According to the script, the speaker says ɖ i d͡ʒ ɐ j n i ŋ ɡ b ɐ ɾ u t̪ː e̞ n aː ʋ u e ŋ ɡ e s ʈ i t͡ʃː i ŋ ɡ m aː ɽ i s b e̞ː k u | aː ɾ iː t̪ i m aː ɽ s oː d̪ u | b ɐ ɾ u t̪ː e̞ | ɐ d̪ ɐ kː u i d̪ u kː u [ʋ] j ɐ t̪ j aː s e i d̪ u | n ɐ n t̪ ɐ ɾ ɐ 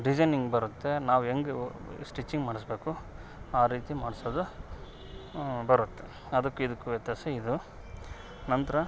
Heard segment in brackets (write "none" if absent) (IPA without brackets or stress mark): ʋ